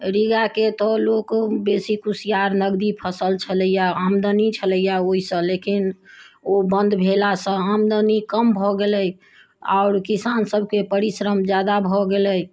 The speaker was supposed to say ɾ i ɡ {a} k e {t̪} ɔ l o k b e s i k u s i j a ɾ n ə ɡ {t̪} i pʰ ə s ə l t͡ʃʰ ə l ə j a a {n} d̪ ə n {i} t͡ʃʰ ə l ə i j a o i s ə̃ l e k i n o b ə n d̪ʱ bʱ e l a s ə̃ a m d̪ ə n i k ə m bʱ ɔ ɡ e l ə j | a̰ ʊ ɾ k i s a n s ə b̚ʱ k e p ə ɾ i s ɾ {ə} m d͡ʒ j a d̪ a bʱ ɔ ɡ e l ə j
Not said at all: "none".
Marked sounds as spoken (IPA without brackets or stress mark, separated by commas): a, t̪, d̪, m, i, ə